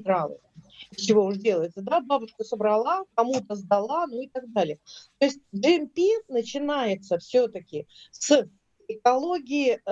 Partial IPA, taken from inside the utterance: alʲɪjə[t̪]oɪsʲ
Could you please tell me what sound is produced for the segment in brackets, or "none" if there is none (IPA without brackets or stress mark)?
t̪